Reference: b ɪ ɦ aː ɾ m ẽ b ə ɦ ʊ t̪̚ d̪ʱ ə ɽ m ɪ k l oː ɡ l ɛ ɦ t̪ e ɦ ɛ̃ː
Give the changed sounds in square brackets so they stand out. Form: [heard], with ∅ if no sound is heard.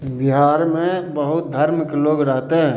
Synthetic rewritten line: b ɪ ɦ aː ɾ m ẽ b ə ɦ ʊ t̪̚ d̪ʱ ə [ɾ] m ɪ k l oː ɡ [ɾ] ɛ ɦ t̪ e ɦ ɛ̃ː